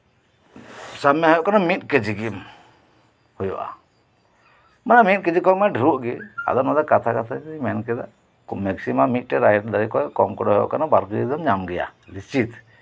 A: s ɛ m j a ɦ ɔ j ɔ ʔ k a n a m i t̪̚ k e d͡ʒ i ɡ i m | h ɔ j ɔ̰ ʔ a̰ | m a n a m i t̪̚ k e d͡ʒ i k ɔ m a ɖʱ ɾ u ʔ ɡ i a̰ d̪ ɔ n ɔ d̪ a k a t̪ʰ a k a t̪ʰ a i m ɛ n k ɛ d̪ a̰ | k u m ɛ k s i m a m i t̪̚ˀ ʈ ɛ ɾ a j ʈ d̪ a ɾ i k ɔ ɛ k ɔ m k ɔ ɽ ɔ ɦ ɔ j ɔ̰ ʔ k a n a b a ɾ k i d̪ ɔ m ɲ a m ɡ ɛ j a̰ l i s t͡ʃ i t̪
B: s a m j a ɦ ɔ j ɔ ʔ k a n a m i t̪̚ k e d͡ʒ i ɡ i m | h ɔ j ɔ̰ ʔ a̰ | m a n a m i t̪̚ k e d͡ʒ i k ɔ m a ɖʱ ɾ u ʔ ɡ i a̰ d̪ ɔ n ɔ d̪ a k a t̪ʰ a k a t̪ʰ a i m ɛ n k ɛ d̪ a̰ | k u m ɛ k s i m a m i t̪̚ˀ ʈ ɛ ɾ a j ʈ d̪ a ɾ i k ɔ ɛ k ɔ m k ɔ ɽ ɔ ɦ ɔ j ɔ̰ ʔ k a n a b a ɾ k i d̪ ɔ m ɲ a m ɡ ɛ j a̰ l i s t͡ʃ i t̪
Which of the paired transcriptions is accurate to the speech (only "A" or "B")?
B